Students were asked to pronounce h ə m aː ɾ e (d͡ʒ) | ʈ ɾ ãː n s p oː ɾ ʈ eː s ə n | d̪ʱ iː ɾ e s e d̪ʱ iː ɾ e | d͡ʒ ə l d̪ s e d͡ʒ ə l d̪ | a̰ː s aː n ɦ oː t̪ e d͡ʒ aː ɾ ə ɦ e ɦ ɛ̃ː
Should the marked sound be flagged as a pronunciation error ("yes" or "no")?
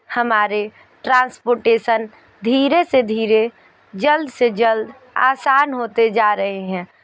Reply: yes